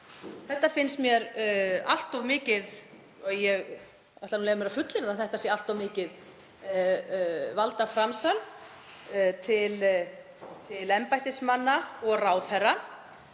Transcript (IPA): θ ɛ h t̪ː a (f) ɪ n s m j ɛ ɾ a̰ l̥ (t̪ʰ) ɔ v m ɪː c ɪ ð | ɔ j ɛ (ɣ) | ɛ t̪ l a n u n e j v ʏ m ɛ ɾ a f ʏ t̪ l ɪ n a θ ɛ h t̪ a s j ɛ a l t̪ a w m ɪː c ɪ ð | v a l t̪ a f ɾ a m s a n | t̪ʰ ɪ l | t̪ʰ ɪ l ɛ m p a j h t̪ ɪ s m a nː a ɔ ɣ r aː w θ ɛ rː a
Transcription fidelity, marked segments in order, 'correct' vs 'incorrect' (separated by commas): correct, incorrect, correct